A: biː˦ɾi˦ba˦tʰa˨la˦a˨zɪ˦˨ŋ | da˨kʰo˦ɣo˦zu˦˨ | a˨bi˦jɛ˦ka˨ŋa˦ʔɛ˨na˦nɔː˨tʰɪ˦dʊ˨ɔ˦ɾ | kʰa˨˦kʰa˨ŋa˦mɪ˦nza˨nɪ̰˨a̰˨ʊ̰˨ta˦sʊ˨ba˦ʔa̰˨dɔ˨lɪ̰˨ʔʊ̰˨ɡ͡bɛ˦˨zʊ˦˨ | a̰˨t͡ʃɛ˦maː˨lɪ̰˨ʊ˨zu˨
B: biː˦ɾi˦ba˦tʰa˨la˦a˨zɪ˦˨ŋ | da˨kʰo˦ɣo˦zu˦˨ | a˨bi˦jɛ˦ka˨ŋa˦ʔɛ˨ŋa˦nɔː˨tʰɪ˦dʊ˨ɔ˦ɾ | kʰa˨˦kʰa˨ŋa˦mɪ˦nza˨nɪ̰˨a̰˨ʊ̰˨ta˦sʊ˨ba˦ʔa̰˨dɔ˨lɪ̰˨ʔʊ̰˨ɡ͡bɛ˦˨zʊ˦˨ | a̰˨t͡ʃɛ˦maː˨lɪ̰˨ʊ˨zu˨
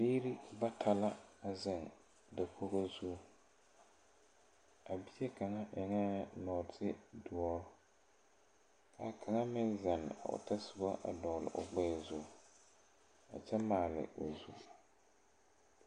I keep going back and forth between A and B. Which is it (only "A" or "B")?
B